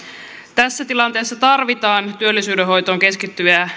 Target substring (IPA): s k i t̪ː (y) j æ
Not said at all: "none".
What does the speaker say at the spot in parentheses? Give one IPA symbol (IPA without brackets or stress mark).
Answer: y